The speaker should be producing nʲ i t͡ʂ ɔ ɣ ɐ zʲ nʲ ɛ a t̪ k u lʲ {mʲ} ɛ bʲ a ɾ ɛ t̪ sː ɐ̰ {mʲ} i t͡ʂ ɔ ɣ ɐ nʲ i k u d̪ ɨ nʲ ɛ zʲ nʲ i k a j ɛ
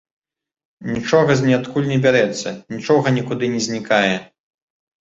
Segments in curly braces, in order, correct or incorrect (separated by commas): incorrect, incorrect